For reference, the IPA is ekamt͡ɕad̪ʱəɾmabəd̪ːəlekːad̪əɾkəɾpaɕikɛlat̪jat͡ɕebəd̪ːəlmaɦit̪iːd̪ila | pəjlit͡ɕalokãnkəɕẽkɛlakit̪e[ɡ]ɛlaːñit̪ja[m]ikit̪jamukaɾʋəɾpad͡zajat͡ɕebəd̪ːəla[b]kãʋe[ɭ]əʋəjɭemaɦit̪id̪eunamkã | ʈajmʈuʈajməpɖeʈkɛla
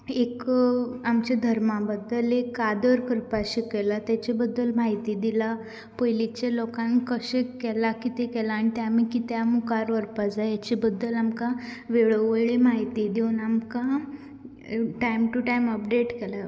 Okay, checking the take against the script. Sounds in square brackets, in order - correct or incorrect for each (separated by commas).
incorrect, correct, incorrect, correct